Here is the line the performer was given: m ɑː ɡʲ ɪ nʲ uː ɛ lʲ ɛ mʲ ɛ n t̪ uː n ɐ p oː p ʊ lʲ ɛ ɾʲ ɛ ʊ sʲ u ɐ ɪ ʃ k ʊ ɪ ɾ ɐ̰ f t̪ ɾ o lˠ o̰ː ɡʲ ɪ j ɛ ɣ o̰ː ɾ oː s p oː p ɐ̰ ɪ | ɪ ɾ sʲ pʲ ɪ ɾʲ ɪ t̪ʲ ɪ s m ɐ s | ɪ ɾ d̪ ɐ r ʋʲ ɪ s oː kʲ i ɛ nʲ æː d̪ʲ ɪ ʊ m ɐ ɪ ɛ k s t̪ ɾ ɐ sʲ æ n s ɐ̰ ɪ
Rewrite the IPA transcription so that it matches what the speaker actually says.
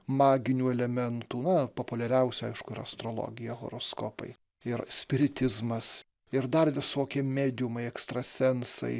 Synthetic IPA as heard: m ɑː ɡʲ ɪ nʲ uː ɛ lʲ ɛ mʲ ɛ n t̪ uː n ɐ p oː p ʊ lʲ ɛ ɾʲ ɛ ʊ sʲ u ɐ ɪ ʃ k ʊ ɪ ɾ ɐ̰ s t̪ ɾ o lˠ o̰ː ɡʲ ɪ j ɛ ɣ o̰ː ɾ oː s k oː p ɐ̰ ɪ | ɪ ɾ sʲ pʲ ɪ ɾʲ ɪ t̪ʲ ɪ z m ɐ s | ɪ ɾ d̪ ɐ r ʋʲ ɪ s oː kʲ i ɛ mʲ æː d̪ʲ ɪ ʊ m ɐ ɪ ɛ k s t̪ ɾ ɐ sʲ ɛ n s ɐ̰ ɪ

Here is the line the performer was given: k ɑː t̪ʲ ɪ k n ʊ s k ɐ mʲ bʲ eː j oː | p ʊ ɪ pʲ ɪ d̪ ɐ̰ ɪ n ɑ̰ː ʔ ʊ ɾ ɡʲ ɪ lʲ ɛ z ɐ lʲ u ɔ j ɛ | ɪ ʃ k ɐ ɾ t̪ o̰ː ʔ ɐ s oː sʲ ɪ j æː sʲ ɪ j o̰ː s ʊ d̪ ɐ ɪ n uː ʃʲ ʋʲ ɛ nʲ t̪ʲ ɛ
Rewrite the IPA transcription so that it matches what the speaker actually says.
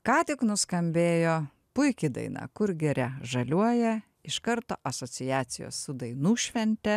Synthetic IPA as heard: k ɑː t̪ʲ ɪ k n ʊ s k ɐ mʲ bʲ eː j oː | p ʊ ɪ kʲ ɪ d̪ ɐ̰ ɪ n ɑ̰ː k ʊ ɾ ɡʲ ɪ ɾʲ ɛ ʒ ɐ lʲ u ɔ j ɛ | ɪ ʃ k ɐ ɾ t̪ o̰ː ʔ ɐ s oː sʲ ɪ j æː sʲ ɪ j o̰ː s ʊ d̪ ɐ ɪ n uː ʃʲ ʋʲ ɛ nʲ t̪ʲ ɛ

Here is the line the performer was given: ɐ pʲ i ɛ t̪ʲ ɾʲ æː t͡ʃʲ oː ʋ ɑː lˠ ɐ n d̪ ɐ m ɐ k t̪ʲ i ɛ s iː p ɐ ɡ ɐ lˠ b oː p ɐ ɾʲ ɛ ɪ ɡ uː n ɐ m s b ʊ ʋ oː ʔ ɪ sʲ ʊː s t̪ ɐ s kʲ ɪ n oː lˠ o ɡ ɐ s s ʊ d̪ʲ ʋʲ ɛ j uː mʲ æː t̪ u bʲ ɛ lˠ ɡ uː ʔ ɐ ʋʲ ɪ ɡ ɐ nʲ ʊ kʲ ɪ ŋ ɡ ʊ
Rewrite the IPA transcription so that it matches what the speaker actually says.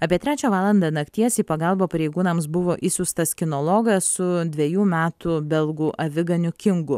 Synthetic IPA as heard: ɐ pʲ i ɛ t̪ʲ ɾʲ æː t͡ʃʲ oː ʋ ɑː lˠ ɐ n d̪ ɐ n ɐ k t̪ʲ i ɛ s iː p ɐ ɡ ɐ lˠ b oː p ɐ ɾʲ ɛ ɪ ɡ uː n ɐ m s b ʊ ʋ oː ʔ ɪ sʲ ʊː s t̪ ɐ s kʲ ɪ n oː lˠ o ɡ ɐ s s ʊ d̪ʲ ʋʲ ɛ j uː mʲ æː t̪ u bʲ ɛ lˠ ɡ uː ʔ ɐ ʋʲ ɪ ɡ ɐ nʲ ʊ kʲ ɪ ŋ ɡ ʊ

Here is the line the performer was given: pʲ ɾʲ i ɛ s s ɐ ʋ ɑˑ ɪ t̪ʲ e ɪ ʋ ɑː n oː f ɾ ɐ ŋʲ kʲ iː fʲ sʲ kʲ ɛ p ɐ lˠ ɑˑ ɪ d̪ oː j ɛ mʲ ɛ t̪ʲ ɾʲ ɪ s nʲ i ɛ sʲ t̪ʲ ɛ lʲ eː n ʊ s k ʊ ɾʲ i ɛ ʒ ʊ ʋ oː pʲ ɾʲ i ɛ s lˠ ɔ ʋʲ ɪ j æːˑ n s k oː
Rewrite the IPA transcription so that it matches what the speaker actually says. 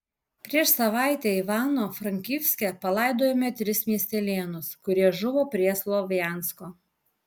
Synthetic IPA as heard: pʲ ɾʲ i ɛ ʃ s ɐ ʋ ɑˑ ɪ t̪ʲ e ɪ ʋ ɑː n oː f ɾ ɐ ŋʲ kʲ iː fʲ sʲ kʲ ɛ p ɐ lˠ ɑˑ ɪ d̪ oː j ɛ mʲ ɛ t̪ʲ ɾʲ ɪ s mʲ i ɛ sʲ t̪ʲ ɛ lʲ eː n ʊ s k ʊ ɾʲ i ɛ ʒ ʊ ʋ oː pʲ ɾʲ i ɛ s lˠ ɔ ʋʲ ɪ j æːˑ n s k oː

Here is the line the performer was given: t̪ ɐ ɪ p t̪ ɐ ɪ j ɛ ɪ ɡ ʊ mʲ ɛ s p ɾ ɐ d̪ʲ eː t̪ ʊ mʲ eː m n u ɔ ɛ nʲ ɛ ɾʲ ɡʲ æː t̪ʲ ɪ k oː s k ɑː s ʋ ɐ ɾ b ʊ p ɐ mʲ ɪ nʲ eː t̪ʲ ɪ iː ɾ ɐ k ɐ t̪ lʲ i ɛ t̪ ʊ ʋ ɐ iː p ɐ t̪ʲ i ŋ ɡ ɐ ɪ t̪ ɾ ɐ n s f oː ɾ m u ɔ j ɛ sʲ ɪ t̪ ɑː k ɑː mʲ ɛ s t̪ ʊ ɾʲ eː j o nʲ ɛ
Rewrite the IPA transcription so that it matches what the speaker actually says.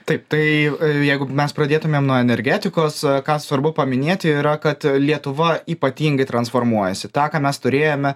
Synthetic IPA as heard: t̪ ɐ ɪ p t̪ ɐ ɪ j ɛ ɪ ɡ ʊ mʲ ɛ s p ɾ ɐ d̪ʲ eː t̪ ʊ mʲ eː m n u ɔ ɛ nʲ ɛ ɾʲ ɡʲ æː t̪ʲ ɪ k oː s k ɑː s ʋ ɐ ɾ b ʊ p ɐ mʲ ɪ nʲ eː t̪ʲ ɪ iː ɾ ɐ k ɐ t̪ lʲ i ɛ t̪ ʊ ʋ ɐ iː p ɐ t̪ʲ iː ŋ ɡ ɐ ɪ t̪ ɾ ɐ n s f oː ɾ m u ɔ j ɛ sʲ ɪ t̪ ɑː k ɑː mʲ ɛ s t̪ ʊ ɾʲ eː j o mʲ ɛ

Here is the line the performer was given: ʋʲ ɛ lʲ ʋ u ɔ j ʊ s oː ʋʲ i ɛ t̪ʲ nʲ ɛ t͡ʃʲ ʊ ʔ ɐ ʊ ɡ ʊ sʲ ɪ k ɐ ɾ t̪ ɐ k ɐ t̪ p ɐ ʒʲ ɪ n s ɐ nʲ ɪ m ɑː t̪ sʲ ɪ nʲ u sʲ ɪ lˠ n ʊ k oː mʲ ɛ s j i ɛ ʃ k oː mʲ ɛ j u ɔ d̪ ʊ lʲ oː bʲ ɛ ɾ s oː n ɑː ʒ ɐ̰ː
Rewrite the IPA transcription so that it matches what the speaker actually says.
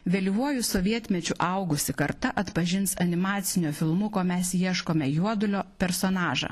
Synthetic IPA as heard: ʋʲ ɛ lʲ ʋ u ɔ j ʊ s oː ʋʲ i ɛ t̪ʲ mʲ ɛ t͡ʃʲ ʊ ʔ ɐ ʊ ɡ ʊ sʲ ɪ k ɐ ɾ t̪ ɐ ʔ ɐ t̪ p ɐ ʒʲ ɪ n s ɐ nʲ ɪ m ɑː t̪ sʲ ɪ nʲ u fʲ ɪ lˠ m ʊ k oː mʲ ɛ s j i ɛ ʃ k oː mʲ ɛ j u ɔ d̪ ʊ lʲ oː pʲ ɛ ɾ s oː n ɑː ʒ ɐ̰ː

